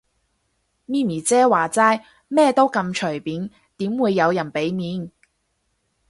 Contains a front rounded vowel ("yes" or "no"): no